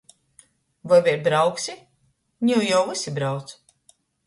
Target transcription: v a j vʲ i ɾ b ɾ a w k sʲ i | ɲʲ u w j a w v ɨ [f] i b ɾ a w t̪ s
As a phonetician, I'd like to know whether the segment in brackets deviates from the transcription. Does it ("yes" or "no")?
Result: yes